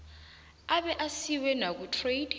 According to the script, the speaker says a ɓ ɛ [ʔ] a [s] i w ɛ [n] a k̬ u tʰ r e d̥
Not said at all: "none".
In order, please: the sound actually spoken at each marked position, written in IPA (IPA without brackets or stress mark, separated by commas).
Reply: ʔ, s, n